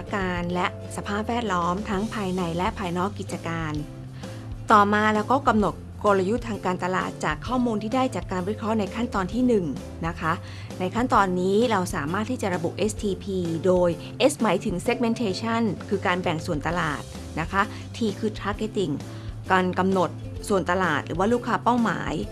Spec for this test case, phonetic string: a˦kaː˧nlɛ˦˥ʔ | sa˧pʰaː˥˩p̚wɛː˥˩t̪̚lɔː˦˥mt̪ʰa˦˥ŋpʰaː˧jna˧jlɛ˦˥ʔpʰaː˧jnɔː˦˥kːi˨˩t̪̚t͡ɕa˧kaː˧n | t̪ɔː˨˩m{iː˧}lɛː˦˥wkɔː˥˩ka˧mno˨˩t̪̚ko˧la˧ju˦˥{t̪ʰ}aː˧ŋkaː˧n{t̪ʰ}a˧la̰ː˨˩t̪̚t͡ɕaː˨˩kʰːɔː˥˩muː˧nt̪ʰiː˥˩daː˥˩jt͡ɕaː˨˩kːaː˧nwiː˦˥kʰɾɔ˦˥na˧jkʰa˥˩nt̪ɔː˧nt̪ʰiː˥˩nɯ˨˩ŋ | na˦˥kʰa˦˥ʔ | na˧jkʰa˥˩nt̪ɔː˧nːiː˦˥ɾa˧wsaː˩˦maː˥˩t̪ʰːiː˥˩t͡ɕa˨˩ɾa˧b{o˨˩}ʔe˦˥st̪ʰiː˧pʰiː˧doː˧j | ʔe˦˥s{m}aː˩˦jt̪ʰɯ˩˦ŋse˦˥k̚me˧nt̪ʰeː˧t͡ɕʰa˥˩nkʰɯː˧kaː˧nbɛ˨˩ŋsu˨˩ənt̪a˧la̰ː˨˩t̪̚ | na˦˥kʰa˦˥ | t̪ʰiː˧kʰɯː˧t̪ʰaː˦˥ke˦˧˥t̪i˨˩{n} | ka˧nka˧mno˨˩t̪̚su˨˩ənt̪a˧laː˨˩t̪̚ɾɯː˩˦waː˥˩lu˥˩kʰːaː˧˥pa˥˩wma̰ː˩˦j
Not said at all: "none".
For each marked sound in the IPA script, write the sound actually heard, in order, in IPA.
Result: aː˧, t̪ʰ, t̪, u˨˩, m, ŋ

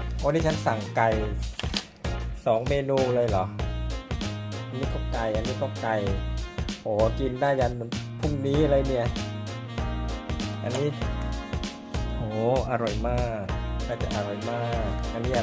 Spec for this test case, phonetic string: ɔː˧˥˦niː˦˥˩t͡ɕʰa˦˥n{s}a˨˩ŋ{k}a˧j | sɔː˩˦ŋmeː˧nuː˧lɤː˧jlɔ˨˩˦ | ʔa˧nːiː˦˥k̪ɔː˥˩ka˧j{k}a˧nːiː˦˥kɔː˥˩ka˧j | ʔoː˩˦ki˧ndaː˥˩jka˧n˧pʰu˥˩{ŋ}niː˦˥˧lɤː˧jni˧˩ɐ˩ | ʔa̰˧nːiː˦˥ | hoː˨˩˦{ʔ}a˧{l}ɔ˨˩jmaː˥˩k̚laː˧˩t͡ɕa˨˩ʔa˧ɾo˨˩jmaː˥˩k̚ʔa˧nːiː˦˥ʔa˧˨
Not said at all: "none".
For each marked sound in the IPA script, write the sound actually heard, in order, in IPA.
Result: s, k, ʔ, ŋ, ʔ, ɾ

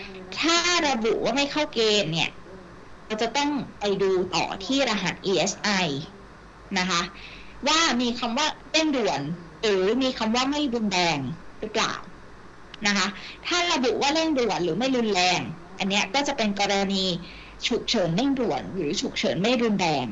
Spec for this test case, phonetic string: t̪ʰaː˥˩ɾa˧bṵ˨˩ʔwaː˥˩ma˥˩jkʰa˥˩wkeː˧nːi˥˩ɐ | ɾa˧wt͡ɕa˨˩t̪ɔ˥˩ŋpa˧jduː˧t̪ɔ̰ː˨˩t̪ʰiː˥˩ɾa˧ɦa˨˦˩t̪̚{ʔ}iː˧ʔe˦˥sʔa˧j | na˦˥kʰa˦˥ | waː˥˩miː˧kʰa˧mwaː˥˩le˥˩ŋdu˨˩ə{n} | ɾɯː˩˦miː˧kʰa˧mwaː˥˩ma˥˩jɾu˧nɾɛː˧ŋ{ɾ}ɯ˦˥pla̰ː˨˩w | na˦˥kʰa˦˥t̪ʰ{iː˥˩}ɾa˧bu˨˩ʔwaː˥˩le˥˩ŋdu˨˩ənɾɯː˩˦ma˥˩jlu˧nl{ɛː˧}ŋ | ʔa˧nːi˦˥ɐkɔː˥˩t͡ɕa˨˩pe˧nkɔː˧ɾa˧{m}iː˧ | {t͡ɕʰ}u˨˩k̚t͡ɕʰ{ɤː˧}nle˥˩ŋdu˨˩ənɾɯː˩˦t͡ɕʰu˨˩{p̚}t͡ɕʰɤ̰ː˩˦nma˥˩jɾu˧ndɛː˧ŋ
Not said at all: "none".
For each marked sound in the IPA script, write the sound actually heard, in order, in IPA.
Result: ʔ, n, ɾ, aː˥˩, ɛː˧, n, t͡ɕʰ, ɤː˩˦, k̚

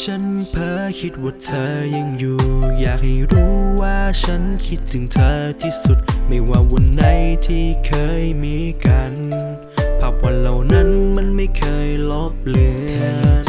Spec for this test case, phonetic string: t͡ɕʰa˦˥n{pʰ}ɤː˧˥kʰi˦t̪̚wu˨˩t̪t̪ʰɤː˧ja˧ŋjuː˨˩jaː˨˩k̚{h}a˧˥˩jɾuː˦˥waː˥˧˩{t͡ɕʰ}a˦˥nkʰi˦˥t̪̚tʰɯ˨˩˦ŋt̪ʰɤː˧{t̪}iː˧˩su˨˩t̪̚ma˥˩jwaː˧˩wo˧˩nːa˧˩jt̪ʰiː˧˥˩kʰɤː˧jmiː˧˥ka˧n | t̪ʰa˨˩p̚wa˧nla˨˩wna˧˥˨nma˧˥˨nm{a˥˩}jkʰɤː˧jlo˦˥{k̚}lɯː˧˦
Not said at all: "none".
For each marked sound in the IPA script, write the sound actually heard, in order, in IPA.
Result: pʰ, h, t͡ɕʰ, t̪ʰ, a˥˩, p̚

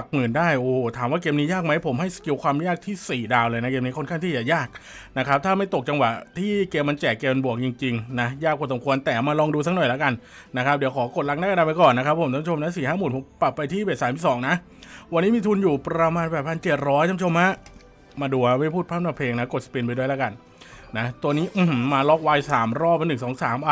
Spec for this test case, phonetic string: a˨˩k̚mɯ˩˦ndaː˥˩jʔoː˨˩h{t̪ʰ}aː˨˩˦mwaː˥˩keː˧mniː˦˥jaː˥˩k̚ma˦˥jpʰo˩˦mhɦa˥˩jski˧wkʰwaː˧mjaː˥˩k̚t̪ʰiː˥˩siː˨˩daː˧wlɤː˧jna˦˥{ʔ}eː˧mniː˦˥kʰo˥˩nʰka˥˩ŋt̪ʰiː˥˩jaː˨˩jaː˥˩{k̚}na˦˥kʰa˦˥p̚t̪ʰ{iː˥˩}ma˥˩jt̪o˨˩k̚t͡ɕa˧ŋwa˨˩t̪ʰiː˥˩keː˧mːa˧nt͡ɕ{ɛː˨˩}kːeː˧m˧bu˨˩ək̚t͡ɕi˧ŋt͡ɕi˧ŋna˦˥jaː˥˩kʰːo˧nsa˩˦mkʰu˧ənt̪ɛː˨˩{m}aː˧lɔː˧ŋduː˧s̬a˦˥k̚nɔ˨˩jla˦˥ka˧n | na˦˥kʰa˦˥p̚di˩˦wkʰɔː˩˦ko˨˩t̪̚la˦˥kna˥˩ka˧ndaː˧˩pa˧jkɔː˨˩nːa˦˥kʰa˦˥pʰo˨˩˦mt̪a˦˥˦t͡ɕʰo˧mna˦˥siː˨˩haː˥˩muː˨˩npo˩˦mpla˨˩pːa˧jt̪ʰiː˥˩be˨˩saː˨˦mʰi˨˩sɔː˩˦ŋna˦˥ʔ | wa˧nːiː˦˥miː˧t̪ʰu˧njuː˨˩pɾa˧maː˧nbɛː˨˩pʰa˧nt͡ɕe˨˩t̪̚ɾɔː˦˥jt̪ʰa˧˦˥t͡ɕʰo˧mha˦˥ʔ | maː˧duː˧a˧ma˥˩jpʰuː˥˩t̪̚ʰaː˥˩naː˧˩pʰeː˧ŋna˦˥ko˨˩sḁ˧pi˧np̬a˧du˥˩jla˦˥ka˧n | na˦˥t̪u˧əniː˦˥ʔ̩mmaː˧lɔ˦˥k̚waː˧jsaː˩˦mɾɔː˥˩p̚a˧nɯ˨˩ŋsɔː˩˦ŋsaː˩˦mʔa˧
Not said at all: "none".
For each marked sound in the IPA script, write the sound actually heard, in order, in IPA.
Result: t̪ʰ, k, k̚, aː˥˩, ɛː˨˩, m

